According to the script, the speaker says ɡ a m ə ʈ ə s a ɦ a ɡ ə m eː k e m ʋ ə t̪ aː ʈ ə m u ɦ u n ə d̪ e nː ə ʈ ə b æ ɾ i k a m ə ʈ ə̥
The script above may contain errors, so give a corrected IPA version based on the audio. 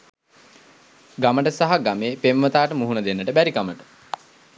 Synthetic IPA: ɡ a m ə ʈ ə s a ɦ a ɡ a m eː p e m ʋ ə t̪ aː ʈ ə m u ɦ u n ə d̪ e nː ə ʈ ə b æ ɾ i k a m ə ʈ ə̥